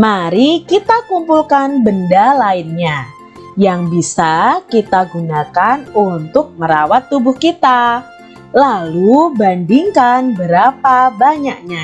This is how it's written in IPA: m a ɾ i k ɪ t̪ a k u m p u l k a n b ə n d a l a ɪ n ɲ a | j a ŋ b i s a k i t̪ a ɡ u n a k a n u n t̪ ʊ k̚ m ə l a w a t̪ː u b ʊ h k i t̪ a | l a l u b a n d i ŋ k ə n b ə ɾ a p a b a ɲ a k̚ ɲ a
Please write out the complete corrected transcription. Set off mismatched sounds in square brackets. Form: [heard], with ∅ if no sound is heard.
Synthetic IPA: m a ɾ i k [i] t̪ a k u m p u l k a n b ə n d a l a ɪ n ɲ a | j a ŋ b i s a k i t̪ a ɡ u n a k a n u n t̪ ʊ k̚ m ə [ɾ] a w a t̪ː u b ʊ h k i t̪ a | l a l u b a n d i ŋ k [a] n b ə ɾ a p a b a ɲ a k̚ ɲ a